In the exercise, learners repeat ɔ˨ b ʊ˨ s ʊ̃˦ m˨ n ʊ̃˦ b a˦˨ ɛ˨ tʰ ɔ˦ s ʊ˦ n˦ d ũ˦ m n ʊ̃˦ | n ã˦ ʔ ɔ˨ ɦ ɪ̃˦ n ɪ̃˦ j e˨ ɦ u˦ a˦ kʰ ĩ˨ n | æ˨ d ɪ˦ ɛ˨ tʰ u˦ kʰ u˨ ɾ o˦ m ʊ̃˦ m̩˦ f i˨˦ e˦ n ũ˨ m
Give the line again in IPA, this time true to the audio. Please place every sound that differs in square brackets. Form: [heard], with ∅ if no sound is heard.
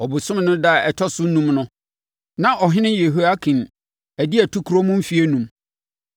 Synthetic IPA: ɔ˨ b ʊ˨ s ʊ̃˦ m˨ n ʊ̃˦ [d] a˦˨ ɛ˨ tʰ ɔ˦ s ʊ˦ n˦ [n] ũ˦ m n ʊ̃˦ | n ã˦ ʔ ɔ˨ ɦ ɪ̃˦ n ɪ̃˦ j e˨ ɦ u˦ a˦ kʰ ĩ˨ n | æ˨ d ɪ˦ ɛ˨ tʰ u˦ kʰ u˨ ɾ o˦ m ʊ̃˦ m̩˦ f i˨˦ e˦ n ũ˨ m